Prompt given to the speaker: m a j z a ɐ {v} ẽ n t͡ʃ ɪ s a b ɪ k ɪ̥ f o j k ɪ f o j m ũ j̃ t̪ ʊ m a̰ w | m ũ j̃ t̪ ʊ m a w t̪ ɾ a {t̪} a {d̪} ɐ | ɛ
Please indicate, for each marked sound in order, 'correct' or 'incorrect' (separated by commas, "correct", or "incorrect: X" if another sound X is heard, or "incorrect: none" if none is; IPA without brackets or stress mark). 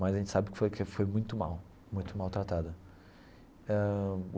incorrect: ʒ, correct, correct